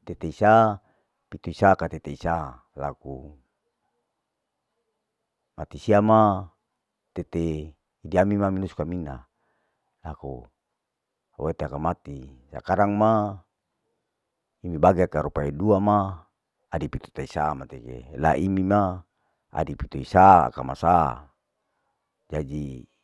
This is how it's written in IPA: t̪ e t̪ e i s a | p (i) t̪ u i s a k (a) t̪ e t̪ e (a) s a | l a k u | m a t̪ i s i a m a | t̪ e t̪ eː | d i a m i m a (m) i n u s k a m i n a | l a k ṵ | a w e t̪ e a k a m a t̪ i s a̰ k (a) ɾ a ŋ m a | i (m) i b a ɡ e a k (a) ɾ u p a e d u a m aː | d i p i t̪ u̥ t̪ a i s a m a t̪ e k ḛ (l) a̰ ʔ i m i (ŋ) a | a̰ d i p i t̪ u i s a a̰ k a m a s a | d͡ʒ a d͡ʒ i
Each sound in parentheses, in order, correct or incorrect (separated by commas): correct, correct, incorrect, correct, correct, correct, correct, correct, incorrect